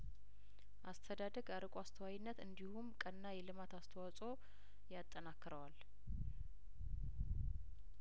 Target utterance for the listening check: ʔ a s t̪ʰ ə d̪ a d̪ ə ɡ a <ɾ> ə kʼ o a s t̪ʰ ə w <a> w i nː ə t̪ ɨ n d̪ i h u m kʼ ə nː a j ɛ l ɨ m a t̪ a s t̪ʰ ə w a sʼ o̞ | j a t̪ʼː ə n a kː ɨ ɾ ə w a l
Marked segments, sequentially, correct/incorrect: correct, correct

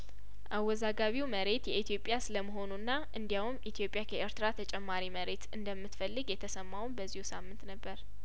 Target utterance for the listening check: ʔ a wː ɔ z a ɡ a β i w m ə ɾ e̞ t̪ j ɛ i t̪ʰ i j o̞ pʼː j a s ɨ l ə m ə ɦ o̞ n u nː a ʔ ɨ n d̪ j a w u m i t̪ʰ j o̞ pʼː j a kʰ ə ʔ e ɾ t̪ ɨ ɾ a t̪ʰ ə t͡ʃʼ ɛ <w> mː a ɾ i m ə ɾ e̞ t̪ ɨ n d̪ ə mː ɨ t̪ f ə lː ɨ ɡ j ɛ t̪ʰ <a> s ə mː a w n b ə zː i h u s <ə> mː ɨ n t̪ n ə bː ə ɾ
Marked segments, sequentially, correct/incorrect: incorrect, incorrect, incorrect

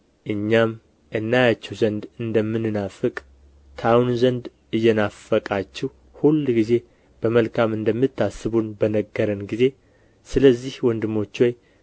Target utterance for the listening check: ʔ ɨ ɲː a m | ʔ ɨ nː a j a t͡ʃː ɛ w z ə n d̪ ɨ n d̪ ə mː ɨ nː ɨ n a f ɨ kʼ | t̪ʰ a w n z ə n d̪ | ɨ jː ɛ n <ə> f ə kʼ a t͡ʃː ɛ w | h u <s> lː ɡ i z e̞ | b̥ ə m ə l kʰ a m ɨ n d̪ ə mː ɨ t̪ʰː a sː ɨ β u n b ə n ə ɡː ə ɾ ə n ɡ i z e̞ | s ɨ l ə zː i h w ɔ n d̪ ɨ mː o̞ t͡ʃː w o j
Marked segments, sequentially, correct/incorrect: incorrect, incorrect

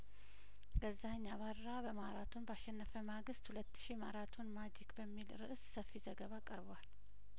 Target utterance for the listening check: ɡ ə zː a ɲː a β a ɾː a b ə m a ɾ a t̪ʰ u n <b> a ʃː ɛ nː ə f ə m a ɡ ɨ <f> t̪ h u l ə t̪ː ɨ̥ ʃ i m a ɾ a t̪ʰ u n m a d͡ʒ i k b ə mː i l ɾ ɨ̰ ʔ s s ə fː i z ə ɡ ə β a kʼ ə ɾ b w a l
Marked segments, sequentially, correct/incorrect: correct, incorrect

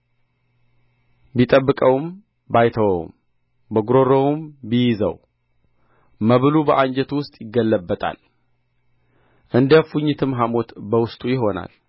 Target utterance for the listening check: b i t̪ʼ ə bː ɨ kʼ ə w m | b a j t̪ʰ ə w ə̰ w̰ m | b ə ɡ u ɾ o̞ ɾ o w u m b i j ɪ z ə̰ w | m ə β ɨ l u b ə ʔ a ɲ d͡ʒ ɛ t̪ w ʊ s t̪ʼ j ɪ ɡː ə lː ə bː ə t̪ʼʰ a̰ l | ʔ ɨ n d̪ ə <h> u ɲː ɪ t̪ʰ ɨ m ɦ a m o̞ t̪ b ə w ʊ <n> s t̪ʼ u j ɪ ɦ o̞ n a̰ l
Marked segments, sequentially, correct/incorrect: incorrect, incorrect

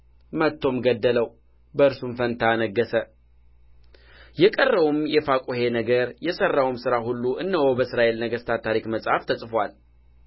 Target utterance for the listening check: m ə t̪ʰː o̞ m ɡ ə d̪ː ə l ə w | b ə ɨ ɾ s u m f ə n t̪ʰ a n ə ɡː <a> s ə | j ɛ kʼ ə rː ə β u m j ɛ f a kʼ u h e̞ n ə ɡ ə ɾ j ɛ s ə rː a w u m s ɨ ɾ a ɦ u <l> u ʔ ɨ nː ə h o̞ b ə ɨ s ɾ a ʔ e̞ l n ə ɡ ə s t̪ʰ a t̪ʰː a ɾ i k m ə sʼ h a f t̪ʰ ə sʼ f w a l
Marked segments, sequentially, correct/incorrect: incorrect, incorrect

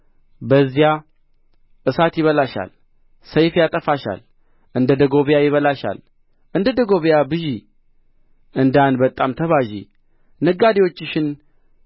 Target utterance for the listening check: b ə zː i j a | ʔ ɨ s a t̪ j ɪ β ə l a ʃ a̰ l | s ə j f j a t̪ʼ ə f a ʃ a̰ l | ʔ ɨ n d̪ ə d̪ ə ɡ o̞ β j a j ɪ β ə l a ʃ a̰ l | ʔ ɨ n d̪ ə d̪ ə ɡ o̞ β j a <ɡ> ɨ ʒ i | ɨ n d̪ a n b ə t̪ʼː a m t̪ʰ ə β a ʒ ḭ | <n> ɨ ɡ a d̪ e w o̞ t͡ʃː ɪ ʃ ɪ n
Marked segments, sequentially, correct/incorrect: incorrect, correct

